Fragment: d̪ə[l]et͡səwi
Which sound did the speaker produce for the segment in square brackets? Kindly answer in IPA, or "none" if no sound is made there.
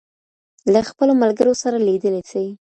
l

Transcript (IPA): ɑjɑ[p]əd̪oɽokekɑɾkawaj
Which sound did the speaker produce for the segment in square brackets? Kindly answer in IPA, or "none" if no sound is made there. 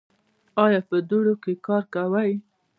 p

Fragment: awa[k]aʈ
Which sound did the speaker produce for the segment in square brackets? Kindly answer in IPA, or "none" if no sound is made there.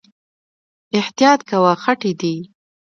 x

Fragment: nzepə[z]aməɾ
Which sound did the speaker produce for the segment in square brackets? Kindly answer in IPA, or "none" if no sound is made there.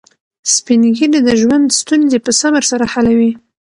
s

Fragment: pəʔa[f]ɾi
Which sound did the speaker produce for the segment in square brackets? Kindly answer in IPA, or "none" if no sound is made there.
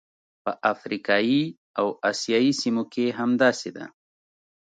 f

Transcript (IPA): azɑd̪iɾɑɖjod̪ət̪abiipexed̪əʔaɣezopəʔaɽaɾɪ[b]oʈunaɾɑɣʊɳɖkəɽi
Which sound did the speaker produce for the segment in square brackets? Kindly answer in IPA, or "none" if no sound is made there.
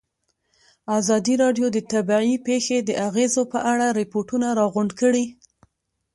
p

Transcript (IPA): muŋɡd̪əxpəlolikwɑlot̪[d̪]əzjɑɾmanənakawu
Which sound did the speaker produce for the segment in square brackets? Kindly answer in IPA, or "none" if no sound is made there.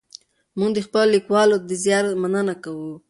d̪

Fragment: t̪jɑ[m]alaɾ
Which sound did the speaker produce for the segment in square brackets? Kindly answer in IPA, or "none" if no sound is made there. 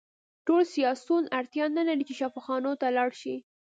n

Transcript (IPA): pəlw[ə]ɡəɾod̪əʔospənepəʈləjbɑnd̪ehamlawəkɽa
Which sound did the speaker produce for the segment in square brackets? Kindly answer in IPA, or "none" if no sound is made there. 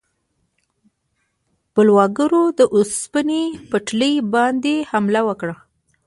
ɑ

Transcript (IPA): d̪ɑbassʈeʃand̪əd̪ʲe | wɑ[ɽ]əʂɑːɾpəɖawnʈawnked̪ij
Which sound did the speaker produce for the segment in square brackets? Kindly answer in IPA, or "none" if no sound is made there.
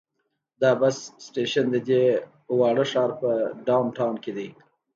ɽ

